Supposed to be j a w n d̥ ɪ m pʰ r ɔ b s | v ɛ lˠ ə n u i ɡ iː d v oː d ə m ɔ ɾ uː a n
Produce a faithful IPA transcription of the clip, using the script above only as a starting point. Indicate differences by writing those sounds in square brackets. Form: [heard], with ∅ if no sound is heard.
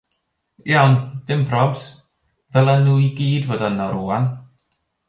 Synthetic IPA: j a w n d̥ ɪ m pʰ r ɔ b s | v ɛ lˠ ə n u i ɡ iː d v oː d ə [n] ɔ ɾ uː a n